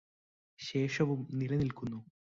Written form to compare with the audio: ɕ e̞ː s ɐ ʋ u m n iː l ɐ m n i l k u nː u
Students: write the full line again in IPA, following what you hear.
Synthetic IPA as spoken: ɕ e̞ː ʂ ɐ ʋ u m n i l ɐ n i l k u nː u